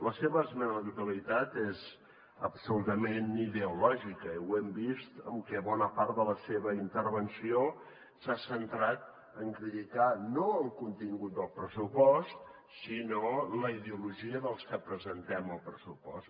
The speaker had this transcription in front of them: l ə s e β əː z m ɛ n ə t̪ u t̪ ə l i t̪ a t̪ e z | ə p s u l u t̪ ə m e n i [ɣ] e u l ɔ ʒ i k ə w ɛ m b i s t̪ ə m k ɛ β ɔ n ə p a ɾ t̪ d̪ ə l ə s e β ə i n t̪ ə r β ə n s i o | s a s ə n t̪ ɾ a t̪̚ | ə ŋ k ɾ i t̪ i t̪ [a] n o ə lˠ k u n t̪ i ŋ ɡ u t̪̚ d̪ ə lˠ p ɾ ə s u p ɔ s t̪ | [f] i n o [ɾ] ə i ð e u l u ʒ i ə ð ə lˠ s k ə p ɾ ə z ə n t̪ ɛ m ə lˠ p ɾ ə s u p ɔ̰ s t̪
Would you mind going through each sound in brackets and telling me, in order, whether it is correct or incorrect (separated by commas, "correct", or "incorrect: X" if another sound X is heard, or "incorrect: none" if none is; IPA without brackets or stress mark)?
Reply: incorrect: ð, correct, incorrect: s, incorrect: l